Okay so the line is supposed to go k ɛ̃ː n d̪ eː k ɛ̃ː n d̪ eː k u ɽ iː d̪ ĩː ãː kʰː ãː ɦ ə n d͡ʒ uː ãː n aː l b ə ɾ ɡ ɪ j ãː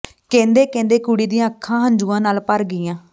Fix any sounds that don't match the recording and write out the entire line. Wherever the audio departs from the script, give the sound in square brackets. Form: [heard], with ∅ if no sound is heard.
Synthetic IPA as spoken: k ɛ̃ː n d̪ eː k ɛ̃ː n d̪ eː k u ɽ iː d̪ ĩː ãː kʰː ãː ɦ ə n d͡ʒ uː ãː n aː l [p] ə ɾ ɡ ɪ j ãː